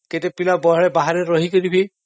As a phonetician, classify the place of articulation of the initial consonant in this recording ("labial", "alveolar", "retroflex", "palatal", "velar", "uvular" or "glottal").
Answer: velar